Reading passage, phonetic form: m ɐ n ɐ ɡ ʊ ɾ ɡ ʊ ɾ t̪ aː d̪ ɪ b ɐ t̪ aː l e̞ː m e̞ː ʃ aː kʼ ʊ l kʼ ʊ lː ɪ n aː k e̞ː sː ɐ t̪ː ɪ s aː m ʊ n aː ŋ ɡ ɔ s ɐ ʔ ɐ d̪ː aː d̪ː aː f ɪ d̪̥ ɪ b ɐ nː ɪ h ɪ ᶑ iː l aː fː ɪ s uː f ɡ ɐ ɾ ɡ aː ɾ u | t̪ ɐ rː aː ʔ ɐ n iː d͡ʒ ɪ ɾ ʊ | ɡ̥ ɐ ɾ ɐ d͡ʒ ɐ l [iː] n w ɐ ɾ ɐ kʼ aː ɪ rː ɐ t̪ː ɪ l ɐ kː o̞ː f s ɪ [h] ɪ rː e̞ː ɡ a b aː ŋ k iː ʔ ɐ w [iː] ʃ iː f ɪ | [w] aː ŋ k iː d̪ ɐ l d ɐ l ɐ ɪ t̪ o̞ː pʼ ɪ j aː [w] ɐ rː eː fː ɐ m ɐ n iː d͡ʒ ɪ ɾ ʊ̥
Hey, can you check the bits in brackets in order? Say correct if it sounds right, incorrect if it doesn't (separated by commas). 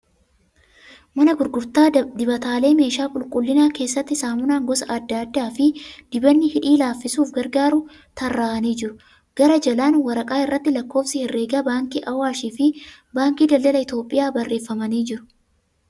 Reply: incorrect, correct, incorrect, incorrect, incorrect